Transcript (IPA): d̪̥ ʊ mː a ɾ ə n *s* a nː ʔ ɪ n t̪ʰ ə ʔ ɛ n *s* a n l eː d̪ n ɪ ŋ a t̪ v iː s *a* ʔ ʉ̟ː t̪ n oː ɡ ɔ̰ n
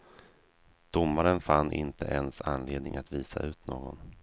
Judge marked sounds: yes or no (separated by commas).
no, yes, yes